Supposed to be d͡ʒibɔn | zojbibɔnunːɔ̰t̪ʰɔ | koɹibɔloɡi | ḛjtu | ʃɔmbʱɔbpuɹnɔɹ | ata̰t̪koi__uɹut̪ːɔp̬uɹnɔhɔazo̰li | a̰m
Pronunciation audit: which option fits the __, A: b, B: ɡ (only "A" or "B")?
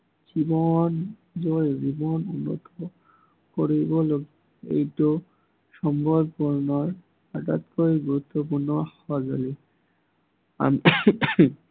B